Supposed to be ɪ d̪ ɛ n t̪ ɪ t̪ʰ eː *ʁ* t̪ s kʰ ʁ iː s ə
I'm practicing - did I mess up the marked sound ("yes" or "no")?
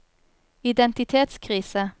yes